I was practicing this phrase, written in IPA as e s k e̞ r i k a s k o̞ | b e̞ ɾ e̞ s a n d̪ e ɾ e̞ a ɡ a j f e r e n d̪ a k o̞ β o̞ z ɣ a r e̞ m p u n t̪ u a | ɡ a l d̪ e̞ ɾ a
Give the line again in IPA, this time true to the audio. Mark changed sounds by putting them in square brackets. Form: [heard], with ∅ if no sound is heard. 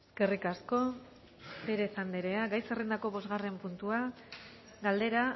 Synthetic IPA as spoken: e s k e̞ r i k a s k o̞ | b e̞ ɾ e̞ s a n d̪ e ɾ e̞ a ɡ a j [s] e r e n d̪ a k o̞ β o̞ z ɣ a r e̞ m p u n t̪ u a | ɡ a l d̪ e̞ ɾ a